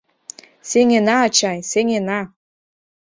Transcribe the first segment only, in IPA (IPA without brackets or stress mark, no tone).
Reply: s